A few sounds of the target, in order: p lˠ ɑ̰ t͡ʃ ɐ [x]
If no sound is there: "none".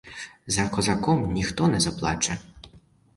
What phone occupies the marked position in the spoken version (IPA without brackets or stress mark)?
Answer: none